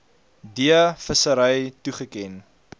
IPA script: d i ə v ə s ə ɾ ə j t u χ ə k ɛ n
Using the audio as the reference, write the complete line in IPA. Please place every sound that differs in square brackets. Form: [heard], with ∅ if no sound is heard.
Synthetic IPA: d i ə [f] ə s ə ɾ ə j t u χ ə k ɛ n